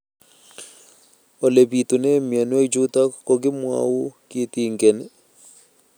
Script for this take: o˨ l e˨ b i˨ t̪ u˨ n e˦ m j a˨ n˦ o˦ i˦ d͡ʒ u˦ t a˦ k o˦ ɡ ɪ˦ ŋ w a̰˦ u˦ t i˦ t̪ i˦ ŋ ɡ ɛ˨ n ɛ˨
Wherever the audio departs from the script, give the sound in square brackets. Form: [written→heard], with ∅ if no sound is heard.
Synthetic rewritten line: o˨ l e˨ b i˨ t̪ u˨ n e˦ m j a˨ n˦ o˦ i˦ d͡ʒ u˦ t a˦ k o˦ ɡ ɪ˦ [ŋ→m] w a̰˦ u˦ [t→k] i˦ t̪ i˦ ŋ ɡ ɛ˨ n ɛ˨